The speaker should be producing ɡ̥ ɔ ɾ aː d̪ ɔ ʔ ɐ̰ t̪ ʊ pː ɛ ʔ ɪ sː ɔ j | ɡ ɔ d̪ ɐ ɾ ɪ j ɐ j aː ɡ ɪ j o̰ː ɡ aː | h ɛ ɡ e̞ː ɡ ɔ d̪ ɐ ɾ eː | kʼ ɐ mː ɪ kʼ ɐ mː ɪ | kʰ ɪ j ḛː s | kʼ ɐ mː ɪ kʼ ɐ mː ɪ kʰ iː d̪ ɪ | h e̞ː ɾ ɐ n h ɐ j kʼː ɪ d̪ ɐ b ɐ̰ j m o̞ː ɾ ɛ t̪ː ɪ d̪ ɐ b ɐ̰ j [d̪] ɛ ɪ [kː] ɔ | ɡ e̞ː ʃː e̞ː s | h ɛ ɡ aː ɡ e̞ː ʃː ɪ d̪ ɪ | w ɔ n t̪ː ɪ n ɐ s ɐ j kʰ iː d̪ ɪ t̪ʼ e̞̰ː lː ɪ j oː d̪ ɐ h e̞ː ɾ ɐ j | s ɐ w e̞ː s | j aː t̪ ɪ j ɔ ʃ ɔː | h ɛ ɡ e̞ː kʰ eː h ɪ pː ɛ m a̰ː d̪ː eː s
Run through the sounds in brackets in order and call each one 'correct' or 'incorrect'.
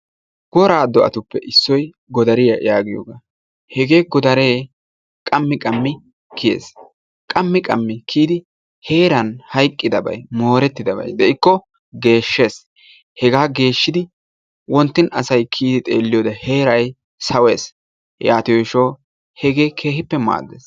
correct, correct

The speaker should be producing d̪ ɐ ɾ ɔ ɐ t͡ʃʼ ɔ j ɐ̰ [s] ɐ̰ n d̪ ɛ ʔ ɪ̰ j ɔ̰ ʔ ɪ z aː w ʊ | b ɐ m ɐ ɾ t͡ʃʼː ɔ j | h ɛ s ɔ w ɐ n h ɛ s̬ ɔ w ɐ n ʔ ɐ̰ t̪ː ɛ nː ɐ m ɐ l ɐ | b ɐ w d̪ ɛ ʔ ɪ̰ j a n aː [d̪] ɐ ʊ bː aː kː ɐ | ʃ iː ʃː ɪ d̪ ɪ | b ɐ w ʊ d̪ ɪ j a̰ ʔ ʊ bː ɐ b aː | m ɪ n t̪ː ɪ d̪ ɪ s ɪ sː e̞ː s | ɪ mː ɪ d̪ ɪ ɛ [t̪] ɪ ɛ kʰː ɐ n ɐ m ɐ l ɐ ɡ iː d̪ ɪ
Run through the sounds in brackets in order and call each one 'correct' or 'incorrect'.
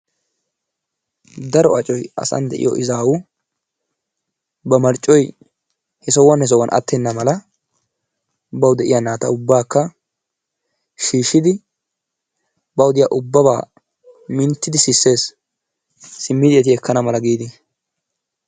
correct, incorrect, correct

